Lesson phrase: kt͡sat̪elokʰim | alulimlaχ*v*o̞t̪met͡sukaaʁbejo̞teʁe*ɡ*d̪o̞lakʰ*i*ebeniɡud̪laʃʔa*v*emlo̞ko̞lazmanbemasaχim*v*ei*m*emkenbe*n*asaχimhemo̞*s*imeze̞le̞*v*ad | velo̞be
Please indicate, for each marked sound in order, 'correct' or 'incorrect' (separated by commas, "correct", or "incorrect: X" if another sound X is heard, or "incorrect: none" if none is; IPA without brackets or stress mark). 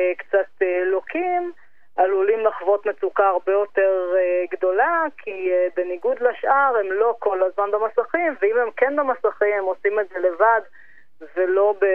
correct, correct, correct, incorrect: ʁ, correct, correct, incorrect: m, correct, correct